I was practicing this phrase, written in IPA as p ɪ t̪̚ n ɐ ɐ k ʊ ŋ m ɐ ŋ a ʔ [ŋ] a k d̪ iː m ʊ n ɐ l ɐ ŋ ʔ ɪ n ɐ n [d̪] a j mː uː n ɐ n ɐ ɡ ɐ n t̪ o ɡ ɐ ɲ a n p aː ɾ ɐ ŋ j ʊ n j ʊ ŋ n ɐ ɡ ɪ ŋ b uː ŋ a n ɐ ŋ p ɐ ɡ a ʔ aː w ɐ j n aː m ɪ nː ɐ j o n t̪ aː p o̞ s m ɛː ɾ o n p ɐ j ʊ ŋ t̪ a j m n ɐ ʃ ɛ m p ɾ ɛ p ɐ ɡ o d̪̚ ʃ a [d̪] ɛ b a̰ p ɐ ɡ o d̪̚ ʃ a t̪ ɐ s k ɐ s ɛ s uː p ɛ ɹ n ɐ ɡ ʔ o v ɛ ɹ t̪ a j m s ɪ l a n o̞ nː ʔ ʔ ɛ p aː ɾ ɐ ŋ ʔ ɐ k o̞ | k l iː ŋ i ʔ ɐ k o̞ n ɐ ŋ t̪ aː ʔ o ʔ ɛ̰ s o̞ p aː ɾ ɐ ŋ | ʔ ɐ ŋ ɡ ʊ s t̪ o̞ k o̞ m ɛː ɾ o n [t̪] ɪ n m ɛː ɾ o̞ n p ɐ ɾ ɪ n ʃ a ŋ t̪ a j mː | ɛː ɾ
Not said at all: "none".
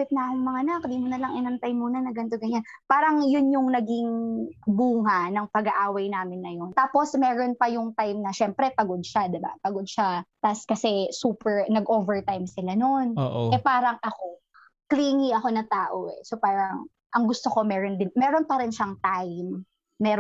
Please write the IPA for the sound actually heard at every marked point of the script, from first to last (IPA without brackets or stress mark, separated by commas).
n, t̪, d̪, d̪